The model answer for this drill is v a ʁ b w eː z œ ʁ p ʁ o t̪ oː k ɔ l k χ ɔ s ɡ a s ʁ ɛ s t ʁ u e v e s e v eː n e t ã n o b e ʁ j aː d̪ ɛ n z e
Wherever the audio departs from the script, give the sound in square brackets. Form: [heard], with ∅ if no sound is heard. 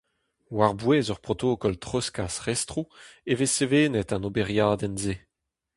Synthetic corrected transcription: [w] a ʁ b w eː z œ ʁ p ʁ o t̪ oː k ɔ l [t] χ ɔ s [k] a s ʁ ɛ s t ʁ u e v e s e v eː n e t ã n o b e ʁ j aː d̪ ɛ n z e